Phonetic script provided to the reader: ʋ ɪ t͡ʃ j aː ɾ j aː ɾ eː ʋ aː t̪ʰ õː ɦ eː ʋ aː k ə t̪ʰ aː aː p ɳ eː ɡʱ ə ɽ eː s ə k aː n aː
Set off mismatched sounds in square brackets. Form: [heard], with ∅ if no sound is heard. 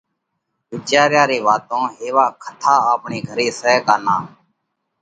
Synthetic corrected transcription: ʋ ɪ t͡ʃ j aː ɾ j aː ɾ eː ʋ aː [t̪] õː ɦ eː ʋ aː [kʰ] ə t̪ʰ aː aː p ɳ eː ɡʱ ə [ɾ] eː s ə k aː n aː